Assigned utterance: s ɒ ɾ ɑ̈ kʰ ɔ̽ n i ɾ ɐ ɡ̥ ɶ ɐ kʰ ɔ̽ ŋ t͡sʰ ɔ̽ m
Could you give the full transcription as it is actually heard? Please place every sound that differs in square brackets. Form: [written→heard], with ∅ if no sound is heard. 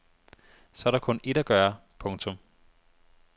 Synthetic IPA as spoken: s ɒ ɾ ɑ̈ kʰ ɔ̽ n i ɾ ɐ ɡ̥ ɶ ɐ [kʰ→pʰ] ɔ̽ ŋ t͡sʰ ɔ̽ m